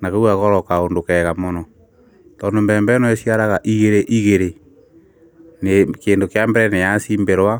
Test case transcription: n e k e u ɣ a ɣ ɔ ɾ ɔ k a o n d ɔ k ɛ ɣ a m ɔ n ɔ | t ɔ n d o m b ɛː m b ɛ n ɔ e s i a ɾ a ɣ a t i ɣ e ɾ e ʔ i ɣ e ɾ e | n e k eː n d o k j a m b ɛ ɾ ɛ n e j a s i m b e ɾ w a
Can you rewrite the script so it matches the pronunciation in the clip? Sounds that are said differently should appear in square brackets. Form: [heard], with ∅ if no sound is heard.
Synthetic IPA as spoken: n [a] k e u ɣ a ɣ ɔ ɾ ɔ k a o n d [o] k ɛ ɣ a m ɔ n ɔ | t ɔ n d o m b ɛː m b ɛ n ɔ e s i a ɾ a ɣ a [ʔ] i ɣ e ɾ e ʔ i ɣ e ɾ e | n e k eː n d o k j a m b ɛ ɾ ɛ n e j a s i m b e ɾ w a